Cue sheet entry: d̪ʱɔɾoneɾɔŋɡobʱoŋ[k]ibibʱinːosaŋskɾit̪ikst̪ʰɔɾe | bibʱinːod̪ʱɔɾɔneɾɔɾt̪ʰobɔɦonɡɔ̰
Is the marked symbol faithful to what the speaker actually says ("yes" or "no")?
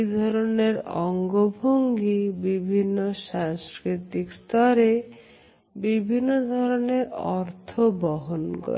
no